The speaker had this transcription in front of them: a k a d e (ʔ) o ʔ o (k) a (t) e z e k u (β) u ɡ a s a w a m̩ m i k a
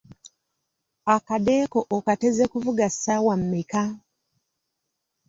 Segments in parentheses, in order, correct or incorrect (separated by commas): incorrect, correct, correct, incorrect